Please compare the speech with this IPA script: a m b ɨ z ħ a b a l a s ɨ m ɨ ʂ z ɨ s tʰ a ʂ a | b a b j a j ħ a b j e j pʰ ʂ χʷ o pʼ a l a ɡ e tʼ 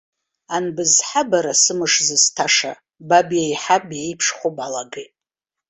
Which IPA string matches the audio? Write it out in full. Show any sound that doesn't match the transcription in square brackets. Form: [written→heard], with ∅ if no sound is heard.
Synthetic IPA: a [m→n] b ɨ z ħ a b a [l→ɾ] a s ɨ m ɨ ʂ z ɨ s tʰ a ʂ a | b a b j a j ħ a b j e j pʰ ʂ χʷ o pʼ a l a ɡ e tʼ